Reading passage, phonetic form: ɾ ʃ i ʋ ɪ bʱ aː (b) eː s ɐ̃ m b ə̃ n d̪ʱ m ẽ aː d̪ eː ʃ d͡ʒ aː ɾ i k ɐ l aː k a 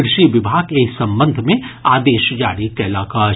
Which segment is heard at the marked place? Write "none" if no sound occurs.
ɡ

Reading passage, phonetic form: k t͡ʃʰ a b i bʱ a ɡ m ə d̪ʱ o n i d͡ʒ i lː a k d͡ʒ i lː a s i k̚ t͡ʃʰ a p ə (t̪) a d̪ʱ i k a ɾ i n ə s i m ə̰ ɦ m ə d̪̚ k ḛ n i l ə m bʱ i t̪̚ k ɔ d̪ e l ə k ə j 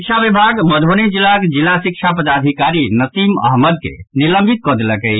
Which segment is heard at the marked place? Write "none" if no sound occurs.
d̪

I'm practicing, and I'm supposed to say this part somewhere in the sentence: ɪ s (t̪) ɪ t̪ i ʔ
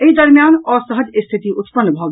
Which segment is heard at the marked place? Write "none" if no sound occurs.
t̪ʰ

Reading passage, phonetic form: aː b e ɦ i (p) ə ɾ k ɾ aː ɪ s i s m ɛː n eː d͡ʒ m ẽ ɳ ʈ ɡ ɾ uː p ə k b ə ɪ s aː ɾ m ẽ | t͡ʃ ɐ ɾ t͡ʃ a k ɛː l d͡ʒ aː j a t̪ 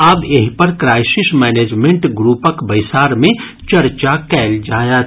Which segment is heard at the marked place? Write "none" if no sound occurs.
p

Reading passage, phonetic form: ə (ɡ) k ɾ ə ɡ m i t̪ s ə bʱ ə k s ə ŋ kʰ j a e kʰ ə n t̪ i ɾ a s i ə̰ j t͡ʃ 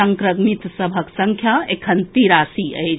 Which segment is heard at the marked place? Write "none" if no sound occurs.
ŋ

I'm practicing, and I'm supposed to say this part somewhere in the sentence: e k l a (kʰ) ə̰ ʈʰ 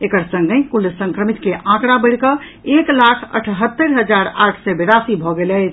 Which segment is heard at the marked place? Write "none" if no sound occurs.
kʰ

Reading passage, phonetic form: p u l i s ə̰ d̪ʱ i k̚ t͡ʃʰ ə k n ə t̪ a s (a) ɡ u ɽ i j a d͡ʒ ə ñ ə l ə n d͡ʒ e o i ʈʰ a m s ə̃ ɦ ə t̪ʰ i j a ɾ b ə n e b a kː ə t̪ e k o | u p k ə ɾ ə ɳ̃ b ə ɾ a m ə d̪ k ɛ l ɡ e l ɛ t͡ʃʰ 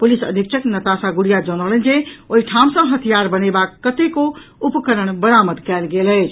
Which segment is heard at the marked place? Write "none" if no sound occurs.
a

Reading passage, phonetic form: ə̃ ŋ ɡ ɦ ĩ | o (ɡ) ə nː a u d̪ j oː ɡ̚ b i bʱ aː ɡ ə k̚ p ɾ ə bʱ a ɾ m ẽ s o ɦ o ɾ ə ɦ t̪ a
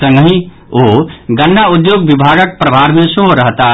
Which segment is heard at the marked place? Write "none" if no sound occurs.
ɡ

